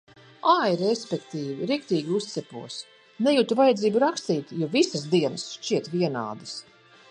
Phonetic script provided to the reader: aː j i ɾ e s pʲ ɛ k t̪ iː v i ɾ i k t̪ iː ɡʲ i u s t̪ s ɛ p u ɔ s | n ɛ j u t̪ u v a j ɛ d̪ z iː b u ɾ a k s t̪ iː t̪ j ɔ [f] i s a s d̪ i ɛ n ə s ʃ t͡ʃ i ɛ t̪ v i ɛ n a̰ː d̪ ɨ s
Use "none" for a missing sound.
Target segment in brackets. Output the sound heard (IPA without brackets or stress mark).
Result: v